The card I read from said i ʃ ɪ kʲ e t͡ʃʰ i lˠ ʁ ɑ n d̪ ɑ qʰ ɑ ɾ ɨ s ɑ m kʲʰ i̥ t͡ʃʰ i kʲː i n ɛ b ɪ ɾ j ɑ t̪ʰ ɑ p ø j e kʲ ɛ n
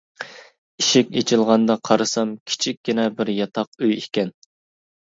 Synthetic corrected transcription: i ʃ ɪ kʲ e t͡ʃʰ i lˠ ʁ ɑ n d̪ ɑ qʰ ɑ ɾ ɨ s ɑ m kʲʰ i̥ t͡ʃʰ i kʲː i n ɛ b ɪ ɾ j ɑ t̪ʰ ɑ q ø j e kʲ ɛ n